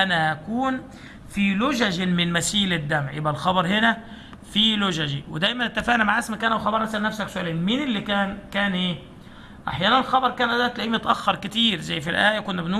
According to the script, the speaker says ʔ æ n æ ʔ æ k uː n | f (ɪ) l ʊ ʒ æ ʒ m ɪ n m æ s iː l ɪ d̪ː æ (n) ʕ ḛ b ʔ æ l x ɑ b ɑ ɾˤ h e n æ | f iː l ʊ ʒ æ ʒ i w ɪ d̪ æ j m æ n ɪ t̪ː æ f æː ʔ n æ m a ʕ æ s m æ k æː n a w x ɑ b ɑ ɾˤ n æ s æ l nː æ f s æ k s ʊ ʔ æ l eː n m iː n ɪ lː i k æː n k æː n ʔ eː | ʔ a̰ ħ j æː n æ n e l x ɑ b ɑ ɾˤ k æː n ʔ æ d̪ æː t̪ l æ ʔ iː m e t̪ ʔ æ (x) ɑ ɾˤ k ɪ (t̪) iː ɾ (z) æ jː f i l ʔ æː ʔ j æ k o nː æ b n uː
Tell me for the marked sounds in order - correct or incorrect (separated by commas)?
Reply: incorrect, incorrect, incorrect, correct, correct